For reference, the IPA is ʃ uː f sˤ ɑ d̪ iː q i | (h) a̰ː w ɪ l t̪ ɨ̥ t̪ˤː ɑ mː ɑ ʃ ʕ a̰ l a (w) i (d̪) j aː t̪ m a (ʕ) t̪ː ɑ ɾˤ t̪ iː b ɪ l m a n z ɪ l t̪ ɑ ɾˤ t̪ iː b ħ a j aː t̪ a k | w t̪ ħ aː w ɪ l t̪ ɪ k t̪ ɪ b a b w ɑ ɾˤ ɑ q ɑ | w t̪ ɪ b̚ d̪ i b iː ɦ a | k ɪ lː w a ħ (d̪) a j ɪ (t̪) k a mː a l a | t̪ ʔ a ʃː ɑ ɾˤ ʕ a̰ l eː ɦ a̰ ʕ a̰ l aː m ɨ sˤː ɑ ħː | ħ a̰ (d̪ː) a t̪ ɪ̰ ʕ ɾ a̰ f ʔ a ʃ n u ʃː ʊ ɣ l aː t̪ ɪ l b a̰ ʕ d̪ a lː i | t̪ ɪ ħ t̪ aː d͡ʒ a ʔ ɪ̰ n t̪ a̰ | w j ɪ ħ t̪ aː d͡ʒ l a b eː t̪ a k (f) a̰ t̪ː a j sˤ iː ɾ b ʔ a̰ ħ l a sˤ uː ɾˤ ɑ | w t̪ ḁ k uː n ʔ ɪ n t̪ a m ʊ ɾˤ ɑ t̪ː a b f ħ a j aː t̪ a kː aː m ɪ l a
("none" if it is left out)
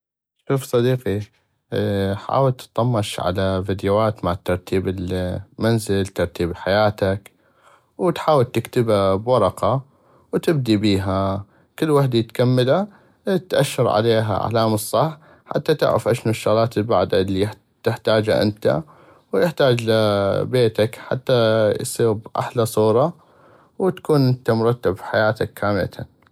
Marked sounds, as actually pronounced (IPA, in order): ħ, v, d̪, ʕ, d̪, t̪, t̪ː, ħ

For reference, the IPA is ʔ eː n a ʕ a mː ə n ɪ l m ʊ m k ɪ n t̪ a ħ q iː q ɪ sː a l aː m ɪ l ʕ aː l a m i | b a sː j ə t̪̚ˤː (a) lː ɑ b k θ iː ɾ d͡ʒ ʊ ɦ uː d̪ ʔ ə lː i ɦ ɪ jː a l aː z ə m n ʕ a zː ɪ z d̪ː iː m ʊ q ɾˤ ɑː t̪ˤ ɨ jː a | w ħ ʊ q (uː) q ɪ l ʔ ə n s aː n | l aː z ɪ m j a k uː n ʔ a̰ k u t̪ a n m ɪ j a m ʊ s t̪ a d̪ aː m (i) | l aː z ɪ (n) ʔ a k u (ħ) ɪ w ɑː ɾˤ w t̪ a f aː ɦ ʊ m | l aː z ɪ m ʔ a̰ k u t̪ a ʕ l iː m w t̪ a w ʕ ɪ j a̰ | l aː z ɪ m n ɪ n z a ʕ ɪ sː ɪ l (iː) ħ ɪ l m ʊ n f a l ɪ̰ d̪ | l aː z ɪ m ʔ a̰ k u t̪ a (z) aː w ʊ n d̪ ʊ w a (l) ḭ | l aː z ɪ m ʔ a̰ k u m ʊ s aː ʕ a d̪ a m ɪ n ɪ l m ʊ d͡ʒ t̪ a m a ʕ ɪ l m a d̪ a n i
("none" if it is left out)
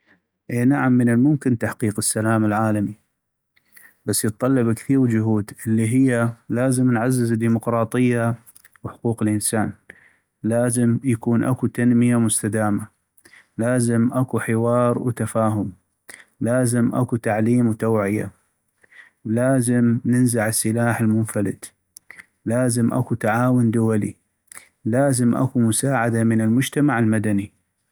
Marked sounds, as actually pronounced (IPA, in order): ɑ, uː, a, m, ħ, aː, ʕ, l

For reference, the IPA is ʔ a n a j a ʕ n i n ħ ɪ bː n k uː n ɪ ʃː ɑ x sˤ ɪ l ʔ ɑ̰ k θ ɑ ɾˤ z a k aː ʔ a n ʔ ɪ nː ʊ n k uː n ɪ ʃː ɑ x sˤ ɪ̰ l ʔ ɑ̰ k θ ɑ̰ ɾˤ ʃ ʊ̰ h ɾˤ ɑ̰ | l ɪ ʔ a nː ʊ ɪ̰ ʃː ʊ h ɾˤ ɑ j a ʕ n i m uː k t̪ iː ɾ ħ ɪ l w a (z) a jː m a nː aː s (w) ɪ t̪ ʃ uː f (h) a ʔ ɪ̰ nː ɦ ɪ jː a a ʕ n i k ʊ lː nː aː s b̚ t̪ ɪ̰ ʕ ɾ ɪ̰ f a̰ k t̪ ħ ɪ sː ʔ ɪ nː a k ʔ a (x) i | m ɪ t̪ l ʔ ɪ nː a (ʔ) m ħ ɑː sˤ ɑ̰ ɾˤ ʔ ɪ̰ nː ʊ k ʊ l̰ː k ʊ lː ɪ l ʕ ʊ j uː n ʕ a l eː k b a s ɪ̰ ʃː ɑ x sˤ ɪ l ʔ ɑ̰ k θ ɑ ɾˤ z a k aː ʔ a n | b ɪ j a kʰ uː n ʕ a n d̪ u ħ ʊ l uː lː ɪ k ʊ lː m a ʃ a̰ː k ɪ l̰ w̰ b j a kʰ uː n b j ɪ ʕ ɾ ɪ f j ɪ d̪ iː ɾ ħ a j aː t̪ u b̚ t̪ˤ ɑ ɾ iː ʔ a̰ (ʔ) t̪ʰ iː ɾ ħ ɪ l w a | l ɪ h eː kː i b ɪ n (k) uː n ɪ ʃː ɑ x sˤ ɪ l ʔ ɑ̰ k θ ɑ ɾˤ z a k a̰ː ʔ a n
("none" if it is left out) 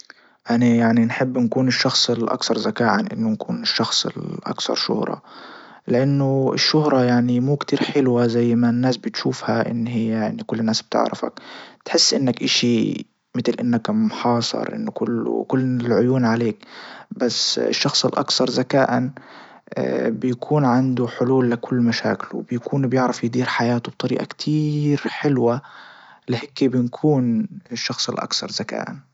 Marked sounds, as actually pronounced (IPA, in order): z, b, h, ʃ, k, k, kʰ

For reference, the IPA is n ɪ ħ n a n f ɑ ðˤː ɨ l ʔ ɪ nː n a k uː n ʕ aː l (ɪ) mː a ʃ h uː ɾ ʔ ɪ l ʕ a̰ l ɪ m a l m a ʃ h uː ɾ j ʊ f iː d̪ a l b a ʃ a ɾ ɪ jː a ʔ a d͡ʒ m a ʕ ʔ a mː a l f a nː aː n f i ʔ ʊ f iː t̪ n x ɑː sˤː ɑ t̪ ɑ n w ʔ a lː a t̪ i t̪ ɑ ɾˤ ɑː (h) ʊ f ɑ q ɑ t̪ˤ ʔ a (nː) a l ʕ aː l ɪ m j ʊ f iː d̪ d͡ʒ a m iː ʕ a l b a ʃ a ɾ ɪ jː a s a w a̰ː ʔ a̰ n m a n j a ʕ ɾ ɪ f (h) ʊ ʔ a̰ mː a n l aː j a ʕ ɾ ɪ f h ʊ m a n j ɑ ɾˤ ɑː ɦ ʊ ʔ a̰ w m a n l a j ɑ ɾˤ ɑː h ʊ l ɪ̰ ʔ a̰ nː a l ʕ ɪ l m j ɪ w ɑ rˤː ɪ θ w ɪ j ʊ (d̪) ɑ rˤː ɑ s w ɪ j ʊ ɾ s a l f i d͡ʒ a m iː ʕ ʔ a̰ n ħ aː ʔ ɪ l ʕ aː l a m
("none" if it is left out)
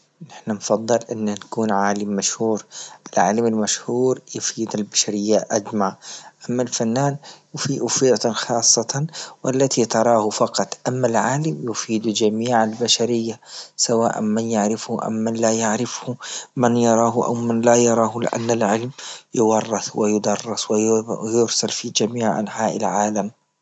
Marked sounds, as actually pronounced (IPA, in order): ɪ, h, mː, h, d̪

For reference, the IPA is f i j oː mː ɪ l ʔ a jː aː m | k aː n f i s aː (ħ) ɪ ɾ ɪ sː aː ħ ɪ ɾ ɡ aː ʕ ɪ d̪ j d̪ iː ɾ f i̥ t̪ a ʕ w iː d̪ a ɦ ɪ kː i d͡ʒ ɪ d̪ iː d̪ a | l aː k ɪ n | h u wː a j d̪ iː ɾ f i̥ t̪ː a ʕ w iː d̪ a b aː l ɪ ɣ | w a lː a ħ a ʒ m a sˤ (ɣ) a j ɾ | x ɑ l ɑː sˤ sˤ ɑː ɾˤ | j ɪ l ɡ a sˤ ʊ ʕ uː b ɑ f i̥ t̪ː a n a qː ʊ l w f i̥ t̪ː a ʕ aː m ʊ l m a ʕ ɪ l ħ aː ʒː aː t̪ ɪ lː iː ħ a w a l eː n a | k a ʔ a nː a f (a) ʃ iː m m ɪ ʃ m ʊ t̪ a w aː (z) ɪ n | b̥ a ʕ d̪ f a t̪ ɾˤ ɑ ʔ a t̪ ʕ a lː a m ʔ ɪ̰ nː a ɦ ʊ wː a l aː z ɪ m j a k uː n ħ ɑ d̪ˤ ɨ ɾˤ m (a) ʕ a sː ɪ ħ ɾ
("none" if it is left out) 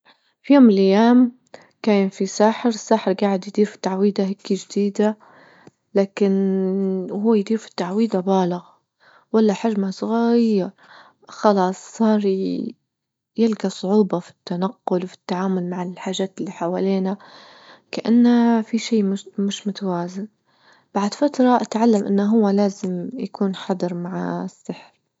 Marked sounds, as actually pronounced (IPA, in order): ħ, ɣ, i, z, a

